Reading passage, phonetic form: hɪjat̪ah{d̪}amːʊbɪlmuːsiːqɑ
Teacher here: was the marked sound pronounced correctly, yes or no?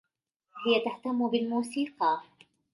no